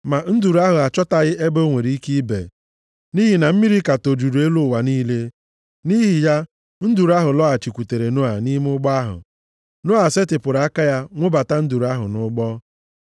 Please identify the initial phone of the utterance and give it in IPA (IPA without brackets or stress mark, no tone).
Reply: m